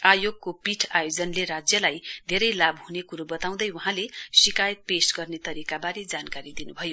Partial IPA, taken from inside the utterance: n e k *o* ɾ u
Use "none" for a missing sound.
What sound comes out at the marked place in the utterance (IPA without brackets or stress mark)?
u